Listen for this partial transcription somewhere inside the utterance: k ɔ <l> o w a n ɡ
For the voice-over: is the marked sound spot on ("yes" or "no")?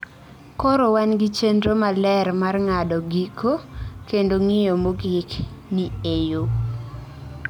no